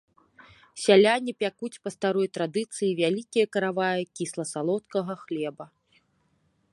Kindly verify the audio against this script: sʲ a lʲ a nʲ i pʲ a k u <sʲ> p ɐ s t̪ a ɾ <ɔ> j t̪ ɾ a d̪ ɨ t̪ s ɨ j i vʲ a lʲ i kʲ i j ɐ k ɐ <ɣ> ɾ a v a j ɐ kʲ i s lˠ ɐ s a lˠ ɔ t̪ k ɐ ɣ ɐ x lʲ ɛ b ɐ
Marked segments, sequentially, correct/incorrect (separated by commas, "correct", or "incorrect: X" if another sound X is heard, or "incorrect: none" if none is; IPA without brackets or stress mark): incorrect: t͡sʲ, correct, incorrect: none